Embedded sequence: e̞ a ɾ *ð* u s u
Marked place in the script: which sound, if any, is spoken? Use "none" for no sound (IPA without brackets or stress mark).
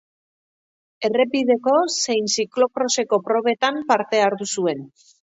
ð